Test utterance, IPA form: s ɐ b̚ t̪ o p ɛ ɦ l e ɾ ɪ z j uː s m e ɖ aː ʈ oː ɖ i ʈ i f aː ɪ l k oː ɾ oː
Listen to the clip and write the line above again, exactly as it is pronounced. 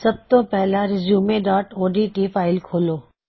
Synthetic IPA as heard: s ɐ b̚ t̪ o p ɛ ɦ l a ɾ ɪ z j uː m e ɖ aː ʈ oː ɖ i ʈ i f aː ɪ l kʰ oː l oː